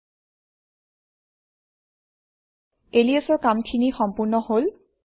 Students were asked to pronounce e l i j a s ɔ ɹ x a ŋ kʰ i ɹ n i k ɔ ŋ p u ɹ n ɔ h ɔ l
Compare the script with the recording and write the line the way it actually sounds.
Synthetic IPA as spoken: e l i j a s ɔ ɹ k a m kʰ i n i x ɔ m p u ɹ n ɔ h o l